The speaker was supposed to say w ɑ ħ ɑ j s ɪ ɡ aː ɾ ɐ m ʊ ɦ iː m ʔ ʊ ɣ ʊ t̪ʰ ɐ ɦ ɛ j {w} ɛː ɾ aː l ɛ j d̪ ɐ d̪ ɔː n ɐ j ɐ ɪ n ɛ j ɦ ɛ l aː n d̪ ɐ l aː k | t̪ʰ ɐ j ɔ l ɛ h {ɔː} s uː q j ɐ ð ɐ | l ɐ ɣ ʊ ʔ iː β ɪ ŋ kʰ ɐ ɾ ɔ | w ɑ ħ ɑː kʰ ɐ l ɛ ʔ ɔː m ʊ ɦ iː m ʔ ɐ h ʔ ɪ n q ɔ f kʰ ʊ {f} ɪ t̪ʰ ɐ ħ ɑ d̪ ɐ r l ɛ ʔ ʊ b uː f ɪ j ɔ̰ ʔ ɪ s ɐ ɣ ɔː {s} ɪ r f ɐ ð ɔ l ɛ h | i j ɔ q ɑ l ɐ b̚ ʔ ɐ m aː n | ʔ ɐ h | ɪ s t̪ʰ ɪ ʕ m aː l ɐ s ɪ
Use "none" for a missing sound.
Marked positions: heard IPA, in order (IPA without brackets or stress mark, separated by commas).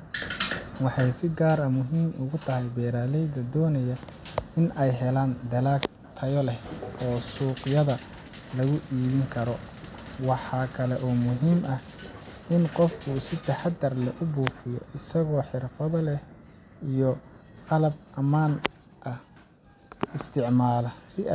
b, ɔː, s, ħ